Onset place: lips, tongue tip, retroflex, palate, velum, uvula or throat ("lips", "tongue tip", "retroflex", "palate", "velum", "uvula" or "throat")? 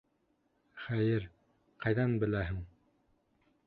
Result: uvula